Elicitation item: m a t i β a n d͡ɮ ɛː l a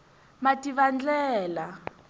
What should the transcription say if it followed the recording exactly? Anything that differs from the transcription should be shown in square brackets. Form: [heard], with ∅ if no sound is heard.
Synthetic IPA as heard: m a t i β a n d͡ɮ ɛː l a